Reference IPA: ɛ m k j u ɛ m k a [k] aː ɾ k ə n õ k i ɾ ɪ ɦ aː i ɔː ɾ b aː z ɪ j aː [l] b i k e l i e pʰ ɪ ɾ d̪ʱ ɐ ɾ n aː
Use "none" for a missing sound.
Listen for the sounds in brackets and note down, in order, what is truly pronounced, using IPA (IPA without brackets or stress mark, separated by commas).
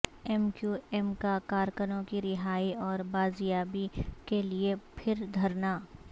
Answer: k, none